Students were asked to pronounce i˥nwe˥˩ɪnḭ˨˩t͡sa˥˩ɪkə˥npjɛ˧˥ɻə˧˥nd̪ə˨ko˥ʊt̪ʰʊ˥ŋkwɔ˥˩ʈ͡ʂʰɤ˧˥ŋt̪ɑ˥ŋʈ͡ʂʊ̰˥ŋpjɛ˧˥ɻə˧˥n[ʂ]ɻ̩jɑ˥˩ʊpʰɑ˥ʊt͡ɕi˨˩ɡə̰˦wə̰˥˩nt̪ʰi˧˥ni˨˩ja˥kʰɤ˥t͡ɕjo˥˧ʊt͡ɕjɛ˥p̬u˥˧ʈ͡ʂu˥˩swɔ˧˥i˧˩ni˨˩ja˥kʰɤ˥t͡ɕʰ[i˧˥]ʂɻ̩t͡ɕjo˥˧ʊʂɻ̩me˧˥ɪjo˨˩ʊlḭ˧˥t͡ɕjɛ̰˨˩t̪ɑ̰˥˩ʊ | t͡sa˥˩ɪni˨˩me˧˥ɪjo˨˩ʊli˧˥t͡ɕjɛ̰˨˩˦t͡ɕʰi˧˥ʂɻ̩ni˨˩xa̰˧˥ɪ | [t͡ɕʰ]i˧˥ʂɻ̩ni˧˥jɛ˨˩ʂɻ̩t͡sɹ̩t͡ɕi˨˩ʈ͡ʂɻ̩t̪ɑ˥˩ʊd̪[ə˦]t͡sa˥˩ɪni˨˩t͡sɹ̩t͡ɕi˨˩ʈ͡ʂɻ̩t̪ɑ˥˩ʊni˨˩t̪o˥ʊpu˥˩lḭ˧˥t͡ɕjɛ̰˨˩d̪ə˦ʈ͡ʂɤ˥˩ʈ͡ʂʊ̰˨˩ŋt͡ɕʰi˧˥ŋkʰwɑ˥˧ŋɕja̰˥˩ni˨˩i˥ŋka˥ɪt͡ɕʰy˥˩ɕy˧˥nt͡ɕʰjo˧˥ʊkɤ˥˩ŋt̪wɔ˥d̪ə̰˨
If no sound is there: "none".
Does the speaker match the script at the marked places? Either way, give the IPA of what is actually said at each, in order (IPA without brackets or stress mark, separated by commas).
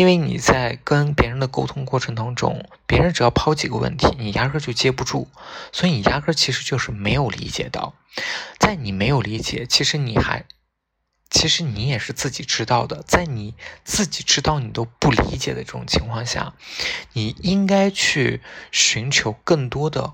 ʈ͡ʂ, i˧˥, t͡ɕʰ, ə˩